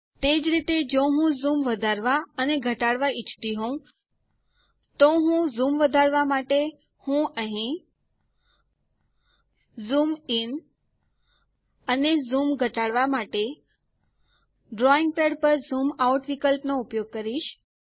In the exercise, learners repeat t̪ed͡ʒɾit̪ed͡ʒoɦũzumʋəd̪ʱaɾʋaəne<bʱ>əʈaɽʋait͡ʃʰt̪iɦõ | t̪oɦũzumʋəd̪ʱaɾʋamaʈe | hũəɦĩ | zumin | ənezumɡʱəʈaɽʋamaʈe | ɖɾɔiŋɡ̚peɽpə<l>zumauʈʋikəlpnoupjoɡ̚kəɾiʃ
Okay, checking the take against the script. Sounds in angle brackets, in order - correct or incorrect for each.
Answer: incorrect: ɡʱ, incorrect: ɾ

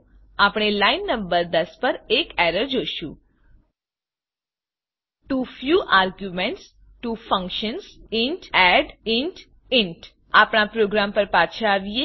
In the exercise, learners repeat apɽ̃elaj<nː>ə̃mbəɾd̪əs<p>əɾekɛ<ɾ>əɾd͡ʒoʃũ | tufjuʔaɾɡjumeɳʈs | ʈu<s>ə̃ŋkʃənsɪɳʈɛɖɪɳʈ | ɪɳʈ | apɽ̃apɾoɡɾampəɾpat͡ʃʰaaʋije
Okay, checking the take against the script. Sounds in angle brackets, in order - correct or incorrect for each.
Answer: correct, correct, correct, incorrect: f

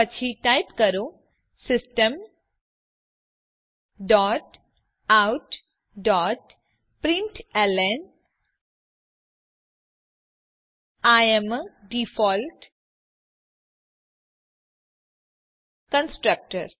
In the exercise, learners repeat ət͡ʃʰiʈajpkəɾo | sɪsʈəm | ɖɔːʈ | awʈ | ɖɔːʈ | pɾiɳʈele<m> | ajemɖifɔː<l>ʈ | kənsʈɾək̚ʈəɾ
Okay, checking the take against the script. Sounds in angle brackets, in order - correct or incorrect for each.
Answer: incorrect: n, correct

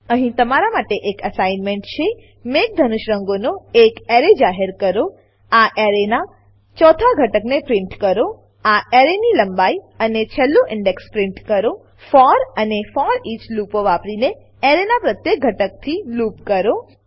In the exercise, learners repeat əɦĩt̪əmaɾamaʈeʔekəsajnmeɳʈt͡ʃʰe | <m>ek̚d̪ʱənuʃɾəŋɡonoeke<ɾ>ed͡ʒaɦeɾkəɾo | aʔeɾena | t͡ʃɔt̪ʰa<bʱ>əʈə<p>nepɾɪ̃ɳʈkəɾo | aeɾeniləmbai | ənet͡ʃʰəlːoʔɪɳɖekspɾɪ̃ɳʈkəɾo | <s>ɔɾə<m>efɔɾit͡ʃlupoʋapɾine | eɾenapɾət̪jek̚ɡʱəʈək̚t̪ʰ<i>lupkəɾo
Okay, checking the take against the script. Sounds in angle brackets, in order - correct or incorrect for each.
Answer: correct, correct, incorrect: ɡʱ, incorrect: k, incorrect: f, incorrect: n, correct

